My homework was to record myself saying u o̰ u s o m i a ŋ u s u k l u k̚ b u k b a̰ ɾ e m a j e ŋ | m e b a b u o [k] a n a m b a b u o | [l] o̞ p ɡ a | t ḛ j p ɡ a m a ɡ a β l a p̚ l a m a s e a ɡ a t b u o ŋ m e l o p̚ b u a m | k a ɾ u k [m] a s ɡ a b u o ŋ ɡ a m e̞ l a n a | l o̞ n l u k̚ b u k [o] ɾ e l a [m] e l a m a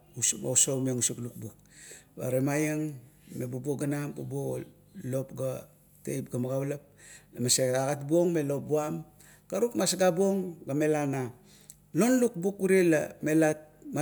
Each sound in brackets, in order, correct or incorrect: incorrect: ɡ, correct, correct, incorrect: u, correct

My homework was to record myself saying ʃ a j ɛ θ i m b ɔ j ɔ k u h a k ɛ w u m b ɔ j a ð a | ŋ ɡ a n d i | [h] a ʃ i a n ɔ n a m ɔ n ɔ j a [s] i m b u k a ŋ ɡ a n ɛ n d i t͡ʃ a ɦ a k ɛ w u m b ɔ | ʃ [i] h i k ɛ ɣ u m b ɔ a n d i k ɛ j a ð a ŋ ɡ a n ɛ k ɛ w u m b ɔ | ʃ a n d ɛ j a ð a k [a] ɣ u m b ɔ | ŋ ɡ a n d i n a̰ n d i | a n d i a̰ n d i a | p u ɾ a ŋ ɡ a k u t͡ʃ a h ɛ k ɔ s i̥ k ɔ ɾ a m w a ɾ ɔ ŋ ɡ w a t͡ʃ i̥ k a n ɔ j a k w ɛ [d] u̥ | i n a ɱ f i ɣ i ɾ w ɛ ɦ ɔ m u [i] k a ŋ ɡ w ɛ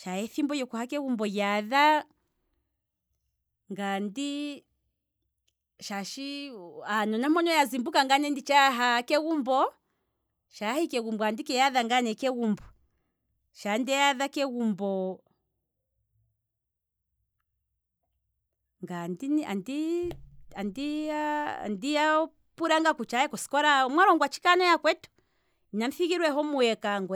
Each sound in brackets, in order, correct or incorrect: incorrect: ʃ, incorrect: z, incorrect: a, incorrect: ɛ, incorrect: t, incorrect: ɛ

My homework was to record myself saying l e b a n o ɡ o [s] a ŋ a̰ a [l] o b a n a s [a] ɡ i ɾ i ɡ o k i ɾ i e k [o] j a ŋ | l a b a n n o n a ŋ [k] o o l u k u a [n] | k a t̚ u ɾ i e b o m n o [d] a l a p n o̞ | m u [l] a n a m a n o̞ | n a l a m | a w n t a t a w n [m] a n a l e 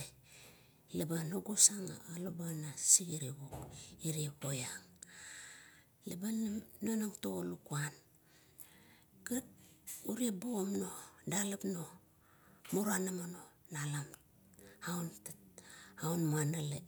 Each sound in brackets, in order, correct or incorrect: correct, correct, incorrect: i, correct, incorrect: t, correct, correct, incorrect: ɾ, correct

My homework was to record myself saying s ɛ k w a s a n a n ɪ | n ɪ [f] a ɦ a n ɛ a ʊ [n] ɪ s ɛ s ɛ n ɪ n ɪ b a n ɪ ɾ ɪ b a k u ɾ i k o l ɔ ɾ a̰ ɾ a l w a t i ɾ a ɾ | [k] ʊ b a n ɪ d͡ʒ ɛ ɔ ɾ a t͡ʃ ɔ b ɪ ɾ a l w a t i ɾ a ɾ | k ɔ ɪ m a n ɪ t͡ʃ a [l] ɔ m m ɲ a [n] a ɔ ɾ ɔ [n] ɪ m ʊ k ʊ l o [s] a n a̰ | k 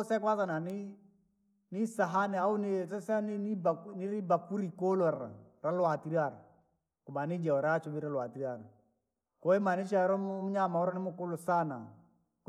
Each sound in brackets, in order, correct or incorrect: incorrect: s, correct, correct, incorrect: ɾ, incorrect: m, correct, correct

